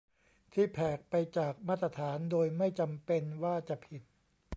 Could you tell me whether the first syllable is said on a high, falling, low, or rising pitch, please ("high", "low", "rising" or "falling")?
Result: falling